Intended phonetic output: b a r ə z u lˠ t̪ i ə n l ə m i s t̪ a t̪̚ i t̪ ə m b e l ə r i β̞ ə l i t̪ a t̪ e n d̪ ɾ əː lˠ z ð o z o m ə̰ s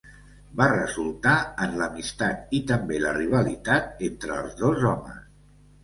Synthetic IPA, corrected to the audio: b a r ə z u lˠ t̪ a ə n l ə m i s t̪ a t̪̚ i t̪ ə m b e l ə r i β̞ ə l i t̪ a t̪ e n t̪ ɾ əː lˠ z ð o z ɔ m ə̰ s